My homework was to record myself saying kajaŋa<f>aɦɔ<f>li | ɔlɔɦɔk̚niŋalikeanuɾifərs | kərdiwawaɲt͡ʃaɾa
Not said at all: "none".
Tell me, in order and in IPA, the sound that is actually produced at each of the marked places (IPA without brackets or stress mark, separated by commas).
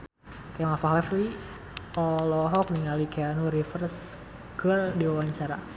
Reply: f, f